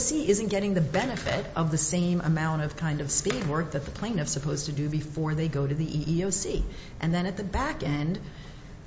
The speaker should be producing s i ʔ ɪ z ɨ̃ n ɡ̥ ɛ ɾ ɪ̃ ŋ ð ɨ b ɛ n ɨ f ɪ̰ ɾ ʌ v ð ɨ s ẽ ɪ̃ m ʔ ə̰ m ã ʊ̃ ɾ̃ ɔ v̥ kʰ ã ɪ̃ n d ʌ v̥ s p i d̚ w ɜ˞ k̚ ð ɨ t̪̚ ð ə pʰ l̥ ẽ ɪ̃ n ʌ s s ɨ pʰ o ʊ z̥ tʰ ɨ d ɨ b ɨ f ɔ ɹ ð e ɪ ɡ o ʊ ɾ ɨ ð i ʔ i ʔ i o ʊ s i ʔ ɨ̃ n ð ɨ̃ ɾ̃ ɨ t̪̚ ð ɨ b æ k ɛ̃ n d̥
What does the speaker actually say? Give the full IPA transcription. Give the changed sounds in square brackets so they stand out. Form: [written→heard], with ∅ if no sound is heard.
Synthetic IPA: s i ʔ ɪ z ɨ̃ n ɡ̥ ɛ ɾ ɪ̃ ŋ ð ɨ b ɛ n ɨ f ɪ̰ ɾ ʌ v ð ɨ s ẽ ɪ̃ m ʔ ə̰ m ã ʊ̃ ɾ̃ [ɔ→ʌ] v̥ kʰ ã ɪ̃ n d ʌ v̥ s p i d̚ w ɜ˞ k̚ ð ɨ t̪̚ ð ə pʰ l̥ ẽ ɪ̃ n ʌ [s→f] s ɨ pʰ o ʊ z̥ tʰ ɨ d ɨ b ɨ f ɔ ɹ ð e ɪ ɡ o ʊ ɾ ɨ ð i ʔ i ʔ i o ʊ s i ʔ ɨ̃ n ð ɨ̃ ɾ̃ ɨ t̪̚ ð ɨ b æ k ɛ̃ n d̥